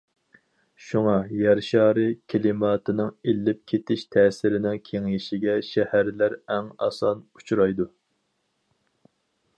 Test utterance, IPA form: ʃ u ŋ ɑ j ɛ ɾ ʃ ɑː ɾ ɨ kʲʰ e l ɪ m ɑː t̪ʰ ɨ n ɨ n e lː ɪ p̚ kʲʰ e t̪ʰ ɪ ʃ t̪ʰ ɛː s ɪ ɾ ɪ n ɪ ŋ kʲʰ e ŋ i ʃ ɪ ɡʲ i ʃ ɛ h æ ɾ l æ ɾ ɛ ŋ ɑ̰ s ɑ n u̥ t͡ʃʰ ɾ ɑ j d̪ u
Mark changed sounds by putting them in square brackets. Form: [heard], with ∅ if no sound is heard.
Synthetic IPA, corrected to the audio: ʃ u ŋ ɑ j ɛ ɾ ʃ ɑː ɾ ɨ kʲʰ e l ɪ m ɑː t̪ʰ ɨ n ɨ [ŋ] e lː ɪ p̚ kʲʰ e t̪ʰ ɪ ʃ t̪ʰ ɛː s ɪ ɾ ɪ n ɪ ŋ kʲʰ e ŋ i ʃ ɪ ɡʲ [ɛ] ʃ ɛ h æ ɾ l æ ɾ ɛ ŋ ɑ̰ s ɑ n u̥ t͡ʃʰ ɾ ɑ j d̪ u